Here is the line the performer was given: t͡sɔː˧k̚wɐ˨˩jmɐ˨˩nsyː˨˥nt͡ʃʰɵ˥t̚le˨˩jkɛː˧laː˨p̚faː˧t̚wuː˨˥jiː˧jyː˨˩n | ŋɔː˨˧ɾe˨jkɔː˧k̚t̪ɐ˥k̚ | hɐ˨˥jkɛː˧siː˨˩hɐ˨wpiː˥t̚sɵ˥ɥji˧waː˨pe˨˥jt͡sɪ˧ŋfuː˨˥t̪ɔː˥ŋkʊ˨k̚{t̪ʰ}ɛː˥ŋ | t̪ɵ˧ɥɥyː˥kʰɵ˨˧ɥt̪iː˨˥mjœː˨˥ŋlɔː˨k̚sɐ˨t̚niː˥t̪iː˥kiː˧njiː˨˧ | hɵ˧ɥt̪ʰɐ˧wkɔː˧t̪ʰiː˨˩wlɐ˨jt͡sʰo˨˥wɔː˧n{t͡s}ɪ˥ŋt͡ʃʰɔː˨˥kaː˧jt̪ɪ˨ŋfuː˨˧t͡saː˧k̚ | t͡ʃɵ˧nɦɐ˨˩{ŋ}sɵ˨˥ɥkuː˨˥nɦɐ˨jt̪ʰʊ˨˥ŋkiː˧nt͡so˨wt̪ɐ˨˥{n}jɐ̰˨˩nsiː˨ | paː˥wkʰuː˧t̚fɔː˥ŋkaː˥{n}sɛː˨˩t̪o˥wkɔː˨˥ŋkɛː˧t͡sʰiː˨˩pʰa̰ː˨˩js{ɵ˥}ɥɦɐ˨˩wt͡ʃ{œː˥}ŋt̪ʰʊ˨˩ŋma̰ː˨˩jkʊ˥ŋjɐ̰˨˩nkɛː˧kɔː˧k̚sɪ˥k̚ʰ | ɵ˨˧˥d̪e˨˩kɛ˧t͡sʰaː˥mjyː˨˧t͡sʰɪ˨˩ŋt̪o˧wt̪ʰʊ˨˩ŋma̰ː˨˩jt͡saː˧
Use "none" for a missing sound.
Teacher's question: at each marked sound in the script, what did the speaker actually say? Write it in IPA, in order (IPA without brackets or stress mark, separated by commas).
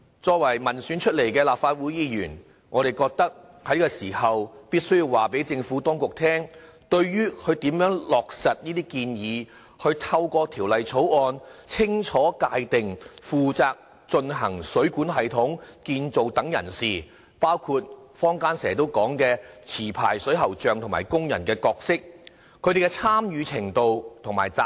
t̪ʰ, t͡sʰ, ŋ, ŋ, n, ɵ˨˥, œː˨